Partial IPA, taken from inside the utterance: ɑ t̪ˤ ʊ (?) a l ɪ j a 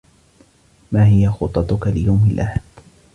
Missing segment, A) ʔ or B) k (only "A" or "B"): B